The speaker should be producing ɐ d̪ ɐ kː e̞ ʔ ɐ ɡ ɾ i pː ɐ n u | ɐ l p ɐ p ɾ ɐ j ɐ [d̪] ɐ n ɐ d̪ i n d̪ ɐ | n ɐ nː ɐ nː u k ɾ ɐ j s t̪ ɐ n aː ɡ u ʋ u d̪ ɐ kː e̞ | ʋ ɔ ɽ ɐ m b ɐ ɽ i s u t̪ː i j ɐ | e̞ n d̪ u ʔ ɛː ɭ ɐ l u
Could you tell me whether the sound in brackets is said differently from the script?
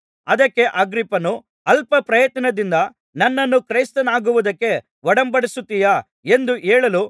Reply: yes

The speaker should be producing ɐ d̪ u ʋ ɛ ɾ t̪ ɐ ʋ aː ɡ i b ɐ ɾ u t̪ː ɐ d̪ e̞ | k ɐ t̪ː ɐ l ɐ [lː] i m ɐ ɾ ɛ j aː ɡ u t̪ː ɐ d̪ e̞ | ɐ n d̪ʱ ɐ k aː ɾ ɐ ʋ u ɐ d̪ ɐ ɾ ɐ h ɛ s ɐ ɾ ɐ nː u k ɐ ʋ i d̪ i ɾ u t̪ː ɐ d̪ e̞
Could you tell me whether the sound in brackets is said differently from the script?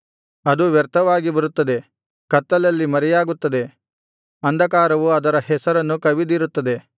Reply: no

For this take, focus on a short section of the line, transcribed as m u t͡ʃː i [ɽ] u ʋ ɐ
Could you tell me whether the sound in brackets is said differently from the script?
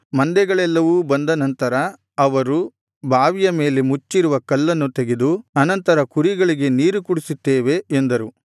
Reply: yes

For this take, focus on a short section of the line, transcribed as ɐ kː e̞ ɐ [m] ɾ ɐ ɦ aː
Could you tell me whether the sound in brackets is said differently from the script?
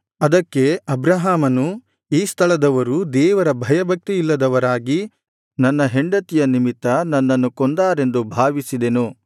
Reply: yes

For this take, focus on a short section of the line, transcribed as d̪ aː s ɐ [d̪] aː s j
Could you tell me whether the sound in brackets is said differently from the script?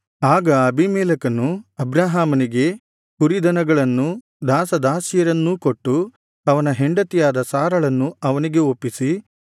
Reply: no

